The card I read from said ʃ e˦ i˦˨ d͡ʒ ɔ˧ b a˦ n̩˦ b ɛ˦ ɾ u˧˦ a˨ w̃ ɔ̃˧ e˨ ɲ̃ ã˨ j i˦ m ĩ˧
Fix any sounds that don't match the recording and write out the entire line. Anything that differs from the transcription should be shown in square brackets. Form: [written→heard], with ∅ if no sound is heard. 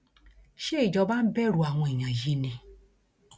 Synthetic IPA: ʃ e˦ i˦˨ d͡ʒ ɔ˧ b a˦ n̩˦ b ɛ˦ ɾ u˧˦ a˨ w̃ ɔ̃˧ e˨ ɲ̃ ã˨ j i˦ [m→n] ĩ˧